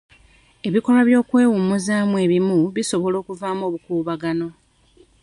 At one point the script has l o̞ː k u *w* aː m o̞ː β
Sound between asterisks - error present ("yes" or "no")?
yes